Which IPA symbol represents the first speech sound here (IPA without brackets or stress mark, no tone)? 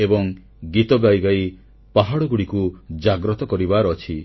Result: e